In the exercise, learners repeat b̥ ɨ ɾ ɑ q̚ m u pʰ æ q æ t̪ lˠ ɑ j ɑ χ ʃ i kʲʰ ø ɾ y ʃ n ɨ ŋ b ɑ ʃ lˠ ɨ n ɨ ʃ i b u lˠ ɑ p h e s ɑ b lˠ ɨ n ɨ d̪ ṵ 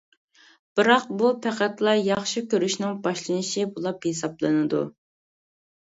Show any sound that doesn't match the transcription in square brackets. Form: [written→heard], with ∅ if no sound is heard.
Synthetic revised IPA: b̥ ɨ ɾ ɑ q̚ [m→b] u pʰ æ q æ t̪ lˠ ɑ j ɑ χ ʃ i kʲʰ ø ɾ y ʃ n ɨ ŋ b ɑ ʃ lˠ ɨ n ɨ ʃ i b u lˠ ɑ p h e s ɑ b lˠ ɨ n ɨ d̪ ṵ